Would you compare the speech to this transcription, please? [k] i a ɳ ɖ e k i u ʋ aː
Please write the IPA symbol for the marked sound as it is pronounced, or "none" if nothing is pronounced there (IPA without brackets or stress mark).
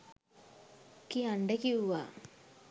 k